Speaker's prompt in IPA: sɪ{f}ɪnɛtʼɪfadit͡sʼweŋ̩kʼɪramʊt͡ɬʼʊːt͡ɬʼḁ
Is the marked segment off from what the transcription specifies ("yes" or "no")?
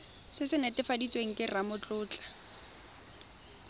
yes